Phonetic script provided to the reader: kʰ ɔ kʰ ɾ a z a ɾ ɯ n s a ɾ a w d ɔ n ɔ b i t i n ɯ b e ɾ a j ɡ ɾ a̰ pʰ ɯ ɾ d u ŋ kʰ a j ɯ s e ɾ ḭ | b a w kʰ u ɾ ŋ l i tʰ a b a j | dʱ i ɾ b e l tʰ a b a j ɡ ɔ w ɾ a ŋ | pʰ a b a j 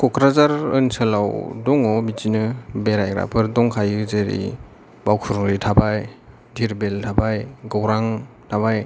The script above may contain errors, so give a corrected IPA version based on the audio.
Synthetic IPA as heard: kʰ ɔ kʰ ɾ a z a ɾ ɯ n s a l a w d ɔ ŋ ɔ b i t i n ɯ b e ɾ a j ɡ ɾ a̰ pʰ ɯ ɾ d ɔ ŋ kʰ a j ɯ z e ɾ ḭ | b a w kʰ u ɾ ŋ ɾ i tʰ a b a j | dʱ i ɾ b e l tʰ a b a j ɡ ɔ w ɾ a ŋ | tʰ a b a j